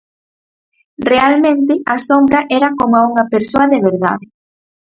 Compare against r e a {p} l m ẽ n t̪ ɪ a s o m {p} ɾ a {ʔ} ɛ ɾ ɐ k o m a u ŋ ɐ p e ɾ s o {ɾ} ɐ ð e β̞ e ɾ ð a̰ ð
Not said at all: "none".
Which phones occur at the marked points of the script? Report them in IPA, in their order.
none, b, ʔ, none

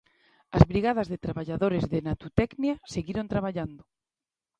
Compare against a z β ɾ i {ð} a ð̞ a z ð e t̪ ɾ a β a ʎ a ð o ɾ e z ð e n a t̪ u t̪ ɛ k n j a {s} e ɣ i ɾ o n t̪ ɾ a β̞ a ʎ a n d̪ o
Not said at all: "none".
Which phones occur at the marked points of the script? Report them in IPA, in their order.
ɣ, s

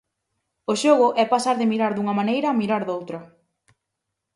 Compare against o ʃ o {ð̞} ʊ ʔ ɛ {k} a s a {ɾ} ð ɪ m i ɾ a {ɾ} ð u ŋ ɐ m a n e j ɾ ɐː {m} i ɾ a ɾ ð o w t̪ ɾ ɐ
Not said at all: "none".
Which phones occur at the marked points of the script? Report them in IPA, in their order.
ɣ̞, p, ɾ, ɾ, m

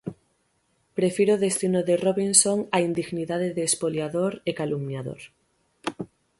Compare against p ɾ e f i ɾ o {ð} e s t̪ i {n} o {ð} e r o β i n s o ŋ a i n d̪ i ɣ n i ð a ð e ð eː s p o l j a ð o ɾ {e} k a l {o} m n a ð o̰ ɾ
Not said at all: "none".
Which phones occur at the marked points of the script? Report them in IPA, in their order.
ð, n, ð, e, u

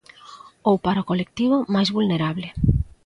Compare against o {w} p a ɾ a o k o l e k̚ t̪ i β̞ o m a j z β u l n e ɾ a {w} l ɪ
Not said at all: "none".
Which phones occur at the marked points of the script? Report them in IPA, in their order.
w, β

